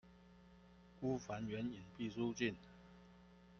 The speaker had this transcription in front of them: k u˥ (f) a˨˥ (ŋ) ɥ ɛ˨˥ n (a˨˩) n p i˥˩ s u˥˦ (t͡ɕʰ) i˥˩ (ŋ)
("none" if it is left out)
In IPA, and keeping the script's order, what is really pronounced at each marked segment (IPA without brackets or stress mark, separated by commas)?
f, n, i˨˩, t͡ɕ, n